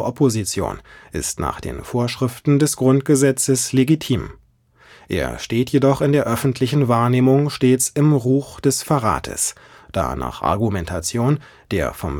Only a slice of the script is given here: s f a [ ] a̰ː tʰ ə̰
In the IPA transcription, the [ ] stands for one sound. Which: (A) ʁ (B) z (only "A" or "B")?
A